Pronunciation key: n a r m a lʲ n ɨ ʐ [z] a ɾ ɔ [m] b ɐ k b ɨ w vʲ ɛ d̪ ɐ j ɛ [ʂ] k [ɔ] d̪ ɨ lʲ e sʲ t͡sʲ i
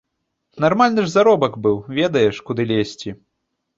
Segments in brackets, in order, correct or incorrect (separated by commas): correct, incorrect, correct, incorrect